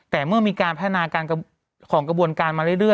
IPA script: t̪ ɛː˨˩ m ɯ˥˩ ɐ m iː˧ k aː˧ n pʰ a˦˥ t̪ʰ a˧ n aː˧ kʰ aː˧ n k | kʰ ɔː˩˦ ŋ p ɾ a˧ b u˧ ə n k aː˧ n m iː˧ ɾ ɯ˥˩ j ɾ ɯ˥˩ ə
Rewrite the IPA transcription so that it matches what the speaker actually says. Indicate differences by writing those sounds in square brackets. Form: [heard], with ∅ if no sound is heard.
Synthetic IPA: t̪ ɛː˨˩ m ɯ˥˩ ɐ m iː˧ k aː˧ n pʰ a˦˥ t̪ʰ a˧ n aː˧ [k] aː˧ n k | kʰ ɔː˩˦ ŋ [k] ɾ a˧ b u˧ ə n k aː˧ n m [aː˧] ɾ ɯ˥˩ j ɾ ɯ˥˩ ə